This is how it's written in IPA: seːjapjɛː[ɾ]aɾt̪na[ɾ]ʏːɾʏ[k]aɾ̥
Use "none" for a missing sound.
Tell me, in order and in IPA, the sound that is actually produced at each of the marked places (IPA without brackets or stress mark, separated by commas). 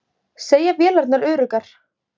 l, ɾ, k